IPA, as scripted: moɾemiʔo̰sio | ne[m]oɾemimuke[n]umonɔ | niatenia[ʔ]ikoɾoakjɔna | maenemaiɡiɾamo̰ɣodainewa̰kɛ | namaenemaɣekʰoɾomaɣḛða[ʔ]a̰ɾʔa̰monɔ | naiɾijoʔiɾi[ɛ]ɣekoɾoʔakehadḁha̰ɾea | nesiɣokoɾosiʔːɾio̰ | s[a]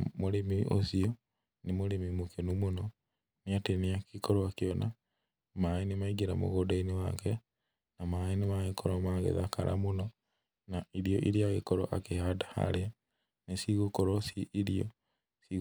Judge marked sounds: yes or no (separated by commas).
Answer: yes, yes, no, no, no, no